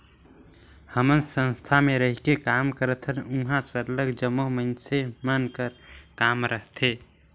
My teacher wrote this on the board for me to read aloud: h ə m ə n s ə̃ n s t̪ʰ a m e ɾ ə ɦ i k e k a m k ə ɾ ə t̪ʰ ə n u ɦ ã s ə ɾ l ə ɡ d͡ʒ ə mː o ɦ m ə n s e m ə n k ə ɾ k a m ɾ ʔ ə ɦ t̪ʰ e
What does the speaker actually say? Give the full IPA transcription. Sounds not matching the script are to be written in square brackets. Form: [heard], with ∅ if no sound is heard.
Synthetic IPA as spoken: h ə m ə n s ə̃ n s t̪ʰ a m e ɾ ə ɦ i k e k a m k ə ɾ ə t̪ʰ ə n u ɦ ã s ə ɾ l ə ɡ d͡ʒ ə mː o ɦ m ə n s e m ə n k ə ɾ k a m ɾ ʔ ə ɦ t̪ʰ e

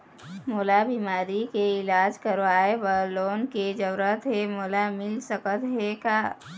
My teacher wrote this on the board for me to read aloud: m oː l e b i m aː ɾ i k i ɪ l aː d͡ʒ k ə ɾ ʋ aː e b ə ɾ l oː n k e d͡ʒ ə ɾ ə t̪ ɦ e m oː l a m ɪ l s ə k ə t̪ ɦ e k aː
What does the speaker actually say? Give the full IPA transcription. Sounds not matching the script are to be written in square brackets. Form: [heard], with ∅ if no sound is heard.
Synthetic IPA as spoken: m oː l [a] b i m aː ɾ i k [e] ɪ l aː d͡ʒ k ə ɾ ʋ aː e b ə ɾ l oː n k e d͡ʒ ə ɾ ə t̪ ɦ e m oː l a m ɪ l s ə k ə t̪ ɦ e k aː

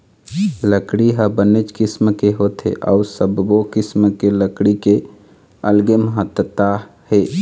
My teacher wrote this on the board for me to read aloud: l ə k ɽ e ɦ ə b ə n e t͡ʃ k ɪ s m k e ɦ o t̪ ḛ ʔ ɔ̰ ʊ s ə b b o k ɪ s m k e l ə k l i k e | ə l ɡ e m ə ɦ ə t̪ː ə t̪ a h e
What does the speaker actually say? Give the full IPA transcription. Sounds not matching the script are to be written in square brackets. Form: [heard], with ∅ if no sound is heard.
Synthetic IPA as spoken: l ə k ɽ [i] ɦ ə b ə n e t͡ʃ k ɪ s m k e ɦ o t̪ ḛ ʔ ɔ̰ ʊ s ə b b o k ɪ s m k e l ə k [ɽ] i k e | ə l ɡ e m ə ɦ ə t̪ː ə t̪ a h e

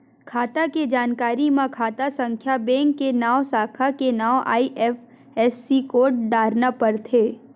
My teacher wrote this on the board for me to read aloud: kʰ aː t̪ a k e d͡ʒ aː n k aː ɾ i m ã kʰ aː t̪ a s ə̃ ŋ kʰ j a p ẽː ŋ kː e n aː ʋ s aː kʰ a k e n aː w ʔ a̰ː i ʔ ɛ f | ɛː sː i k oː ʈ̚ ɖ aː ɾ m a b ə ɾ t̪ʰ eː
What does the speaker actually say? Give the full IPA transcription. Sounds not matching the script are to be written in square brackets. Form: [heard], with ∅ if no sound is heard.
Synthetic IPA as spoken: kʰ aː t̪ a k e d͡ʒ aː n k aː ɾ i m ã kʰ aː t̪ a s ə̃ ŋ kʰ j a [b] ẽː ŋ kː e n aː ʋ s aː kʰ a k e n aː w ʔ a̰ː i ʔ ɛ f | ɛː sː i k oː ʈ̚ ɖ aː ɾ [n] a [p] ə ɾ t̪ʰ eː

